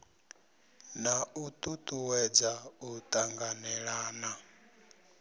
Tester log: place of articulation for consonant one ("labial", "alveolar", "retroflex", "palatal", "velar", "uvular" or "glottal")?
alveolar